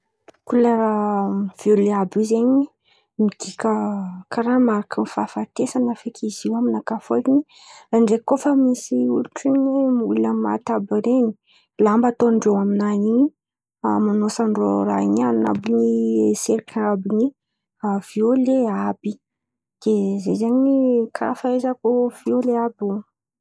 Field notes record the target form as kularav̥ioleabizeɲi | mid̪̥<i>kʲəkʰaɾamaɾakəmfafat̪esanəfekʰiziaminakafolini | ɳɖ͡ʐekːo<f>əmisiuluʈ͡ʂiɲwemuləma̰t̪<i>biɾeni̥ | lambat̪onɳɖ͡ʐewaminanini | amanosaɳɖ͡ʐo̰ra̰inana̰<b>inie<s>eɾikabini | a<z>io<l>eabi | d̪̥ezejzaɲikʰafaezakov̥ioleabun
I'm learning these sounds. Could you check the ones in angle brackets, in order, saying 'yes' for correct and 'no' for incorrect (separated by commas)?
yes, yes, no, yes, yes, no, yes